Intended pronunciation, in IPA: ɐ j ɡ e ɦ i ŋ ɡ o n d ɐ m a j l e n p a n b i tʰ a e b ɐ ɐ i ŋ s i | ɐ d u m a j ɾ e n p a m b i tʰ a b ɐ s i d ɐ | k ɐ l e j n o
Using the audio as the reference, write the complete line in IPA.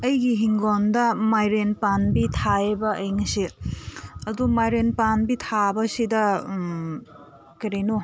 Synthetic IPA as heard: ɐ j ɡ i ɦ i ŋ ɡ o n d ɐ m a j ɾ e n p a n b i tʰ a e b ɐ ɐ j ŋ s i | ɐ d u m a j ɾ e n p a n b i tʰ a b ɐ s i d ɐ | k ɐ ɾ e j n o

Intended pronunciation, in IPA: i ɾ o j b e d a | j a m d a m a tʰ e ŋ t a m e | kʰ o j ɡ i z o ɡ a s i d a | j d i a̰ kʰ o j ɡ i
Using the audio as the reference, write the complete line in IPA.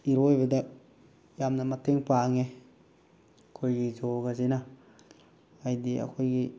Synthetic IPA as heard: i ɾ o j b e d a | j a m n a m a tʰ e ŋ p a ŋ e | kʰ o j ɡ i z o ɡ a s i n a | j d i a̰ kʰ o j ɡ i

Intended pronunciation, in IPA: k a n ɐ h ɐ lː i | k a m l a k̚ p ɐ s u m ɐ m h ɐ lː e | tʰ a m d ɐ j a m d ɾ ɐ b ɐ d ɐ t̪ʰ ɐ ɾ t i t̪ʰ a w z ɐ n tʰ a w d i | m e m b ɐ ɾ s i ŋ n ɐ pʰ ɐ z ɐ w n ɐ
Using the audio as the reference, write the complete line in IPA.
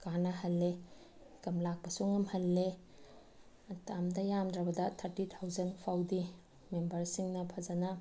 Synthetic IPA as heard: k a n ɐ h ɐ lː e | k ɐ m l a k̚ p ɐ s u ŋ ɐ m h ɐ lː e | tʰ a m d ɐ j a m d ɾ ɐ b ɐ d ɐ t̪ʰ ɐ ɾ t i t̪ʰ a w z ɐ n pʰ a w d i | m e m b ɐ ɾ s i ŋ n ɐ pʰ ɐ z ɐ n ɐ

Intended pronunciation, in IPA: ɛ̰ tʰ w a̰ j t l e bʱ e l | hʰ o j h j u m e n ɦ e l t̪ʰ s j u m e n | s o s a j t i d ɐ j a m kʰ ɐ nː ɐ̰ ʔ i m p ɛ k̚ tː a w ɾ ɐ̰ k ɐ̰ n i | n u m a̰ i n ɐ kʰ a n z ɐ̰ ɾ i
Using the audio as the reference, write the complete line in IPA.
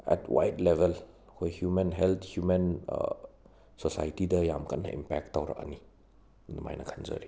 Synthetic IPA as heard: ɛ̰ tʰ w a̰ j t l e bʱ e l | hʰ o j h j u m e n ɦ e l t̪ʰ h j u m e n | s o s a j t i d ɐ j a m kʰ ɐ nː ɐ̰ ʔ i m p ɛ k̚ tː a w ɾ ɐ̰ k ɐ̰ n i | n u m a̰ j n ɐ kʰ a n z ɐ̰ ɾ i

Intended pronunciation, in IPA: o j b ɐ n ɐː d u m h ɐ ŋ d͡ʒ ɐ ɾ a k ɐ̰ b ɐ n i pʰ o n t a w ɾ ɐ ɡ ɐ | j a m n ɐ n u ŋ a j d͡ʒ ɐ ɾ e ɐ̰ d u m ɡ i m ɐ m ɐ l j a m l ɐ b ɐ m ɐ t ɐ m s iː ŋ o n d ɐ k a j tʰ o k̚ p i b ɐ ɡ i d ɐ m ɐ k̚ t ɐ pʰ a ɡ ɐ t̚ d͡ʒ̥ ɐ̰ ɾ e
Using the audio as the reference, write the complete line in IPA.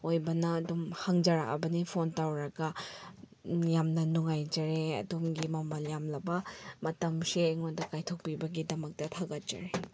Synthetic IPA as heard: o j b ɐ n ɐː d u m h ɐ ŋ d͡ʒ ɐ ɾ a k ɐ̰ b ɐ n i pʰ o n t a w ɾ ɐ ɡ ɐ | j a m n ɐ n u ŋ a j d͡ʒ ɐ ɾ e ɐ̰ d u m ɡ i m ɐ m ɐ l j a m l ɐ b ɐ m ɐ t ɐ m s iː ŋ o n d ɐ k a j tʰ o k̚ p i b ɐ ɡ i d ɐ m ɐ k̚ t ɐ tʰ a ɡ ɐ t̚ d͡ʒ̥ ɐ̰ ɾ e

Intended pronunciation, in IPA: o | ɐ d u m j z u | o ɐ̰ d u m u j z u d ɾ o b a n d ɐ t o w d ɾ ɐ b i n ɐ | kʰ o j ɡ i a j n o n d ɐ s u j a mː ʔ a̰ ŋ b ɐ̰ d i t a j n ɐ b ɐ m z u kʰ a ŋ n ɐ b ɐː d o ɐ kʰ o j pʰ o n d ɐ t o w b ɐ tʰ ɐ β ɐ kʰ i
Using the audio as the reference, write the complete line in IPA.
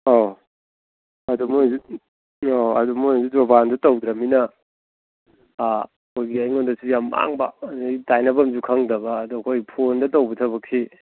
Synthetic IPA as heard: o | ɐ d u m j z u | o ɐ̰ d u m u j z u d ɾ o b a n d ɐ t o w d ɾ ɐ m i n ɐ | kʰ o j ɡ i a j ŋ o n d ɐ s u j a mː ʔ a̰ ŋ b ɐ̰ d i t a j n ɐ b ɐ m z u kʰ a ŋ d ɐ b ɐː d u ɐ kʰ o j pʰ o n d ɐ t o w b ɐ tʰ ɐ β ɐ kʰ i

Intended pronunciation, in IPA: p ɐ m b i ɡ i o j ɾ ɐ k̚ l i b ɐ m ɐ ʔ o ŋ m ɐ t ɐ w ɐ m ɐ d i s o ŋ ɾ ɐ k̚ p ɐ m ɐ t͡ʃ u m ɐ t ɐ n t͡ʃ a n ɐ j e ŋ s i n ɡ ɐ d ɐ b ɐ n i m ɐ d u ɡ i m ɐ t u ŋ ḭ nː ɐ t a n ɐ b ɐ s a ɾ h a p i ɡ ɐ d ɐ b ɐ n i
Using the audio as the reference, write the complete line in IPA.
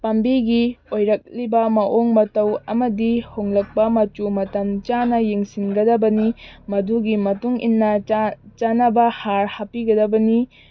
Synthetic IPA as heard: p ɐ m b i ɡ i o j ɾ ɐ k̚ l i b ɐ m ɐ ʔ o ŋ m ɐ t ɐ w ɐ m ɐ d i h o ŋ l ɐ k̚ p ɐ m ɐ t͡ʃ u m ɐ t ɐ n t͡ʃ a n ɐ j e ŋ s i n ɡ ɐ d ɐ b ɐ n i m ɐ d u ɡ i m ɐ t u ŋ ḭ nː ɐ t͡ʃ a n ɐ b ɐ h a ɾ h a p i ɡ ɐ d ɐ b ɐ n i

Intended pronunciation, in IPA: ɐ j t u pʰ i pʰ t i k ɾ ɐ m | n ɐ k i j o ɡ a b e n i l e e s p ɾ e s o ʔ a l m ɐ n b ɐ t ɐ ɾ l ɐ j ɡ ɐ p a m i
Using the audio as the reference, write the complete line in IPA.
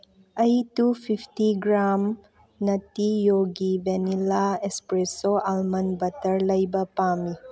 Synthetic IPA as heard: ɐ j t u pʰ i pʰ t i ɡ ɾ a m | n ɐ t i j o ɡ i b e n i l a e s p ɾ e s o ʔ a l m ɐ n b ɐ t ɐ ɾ l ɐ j b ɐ p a m i

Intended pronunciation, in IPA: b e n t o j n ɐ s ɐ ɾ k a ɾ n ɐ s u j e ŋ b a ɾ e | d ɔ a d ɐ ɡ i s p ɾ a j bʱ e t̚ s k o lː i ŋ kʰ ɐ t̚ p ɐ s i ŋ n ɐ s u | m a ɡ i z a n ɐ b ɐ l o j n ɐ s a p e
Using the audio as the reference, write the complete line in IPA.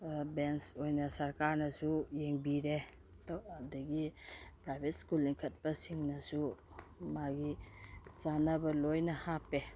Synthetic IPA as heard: b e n s o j n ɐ s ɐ ɾ k a ɾ n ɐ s u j e ŋ b i ɾ e | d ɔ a d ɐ ɡ i p ɾ a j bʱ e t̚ s k u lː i ŋ kʰ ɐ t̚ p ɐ s i ŋ n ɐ s u | m a ɡ i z a n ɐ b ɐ l o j n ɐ h a p e

